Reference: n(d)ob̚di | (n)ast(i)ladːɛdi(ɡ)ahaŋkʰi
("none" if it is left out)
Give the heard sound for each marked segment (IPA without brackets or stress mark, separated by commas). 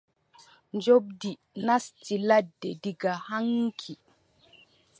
d͡ʒ, n, i, ɡ